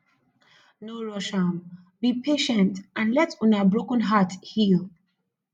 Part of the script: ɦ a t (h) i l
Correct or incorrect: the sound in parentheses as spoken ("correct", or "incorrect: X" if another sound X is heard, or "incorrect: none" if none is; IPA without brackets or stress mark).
correct